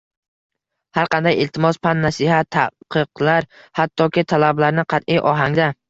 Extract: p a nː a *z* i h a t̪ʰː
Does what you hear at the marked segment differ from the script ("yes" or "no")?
yes